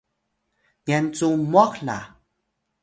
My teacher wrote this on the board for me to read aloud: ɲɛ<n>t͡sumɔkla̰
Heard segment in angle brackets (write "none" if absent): n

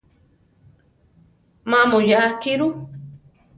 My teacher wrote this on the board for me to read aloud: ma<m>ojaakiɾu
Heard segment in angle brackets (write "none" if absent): m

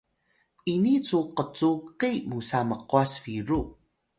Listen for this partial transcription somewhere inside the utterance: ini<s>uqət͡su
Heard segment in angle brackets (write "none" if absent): t͡s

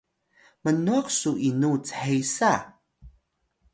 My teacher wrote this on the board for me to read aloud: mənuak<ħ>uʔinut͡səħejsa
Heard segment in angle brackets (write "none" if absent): s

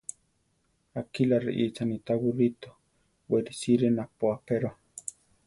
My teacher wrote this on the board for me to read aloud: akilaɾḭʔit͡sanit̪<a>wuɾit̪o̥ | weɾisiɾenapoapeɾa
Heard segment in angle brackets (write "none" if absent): a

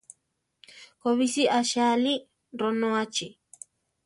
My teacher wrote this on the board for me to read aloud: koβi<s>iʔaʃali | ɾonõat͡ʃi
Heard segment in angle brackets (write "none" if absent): s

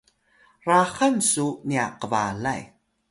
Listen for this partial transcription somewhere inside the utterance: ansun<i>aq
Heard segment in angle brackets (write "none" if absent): i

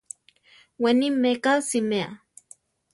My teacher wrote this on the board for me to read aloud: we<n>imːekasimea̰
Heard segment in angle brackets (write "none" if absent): n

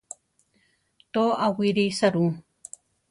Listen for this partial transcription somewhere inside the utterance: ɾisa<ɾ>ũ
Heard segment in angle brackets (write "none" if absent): ɾ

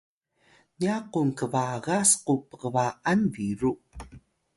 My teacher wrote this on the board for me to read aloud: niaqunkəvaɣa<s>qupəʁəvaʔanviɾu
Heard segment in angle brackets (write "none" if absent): s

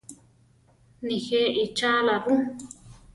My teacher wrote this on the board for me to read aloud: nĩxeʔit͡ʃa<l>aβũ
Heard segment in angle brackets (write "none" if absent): l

